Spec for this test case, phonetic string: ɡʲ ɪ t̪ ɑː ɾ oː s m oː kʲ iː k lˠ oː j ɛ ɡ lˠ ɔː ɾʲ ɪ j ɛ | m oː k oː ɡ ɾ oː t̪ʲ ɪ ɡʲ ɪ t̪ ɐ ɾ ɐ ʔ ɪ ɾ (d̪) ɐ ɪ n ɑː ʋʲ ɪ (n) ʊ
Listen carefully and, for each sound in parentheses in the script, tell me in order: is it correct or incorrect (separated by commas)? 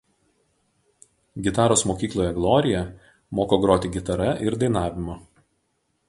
correct, incorrect